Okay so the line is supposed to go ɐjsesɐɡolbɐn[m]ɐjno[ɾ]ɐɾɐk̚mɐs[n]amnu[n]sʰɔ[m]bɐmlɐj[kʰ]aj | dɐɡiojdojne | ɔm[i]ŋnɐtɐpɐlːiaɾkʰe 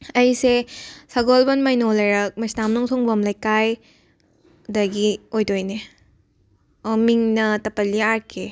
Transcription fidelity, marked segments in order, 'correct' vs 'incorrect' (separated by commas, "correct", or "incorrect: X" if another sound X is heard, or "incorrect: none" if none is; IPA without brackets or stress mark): correct, incorrect: l, correct, incorrect: ŋ, incorrect: ŋ, incorrect: k, correct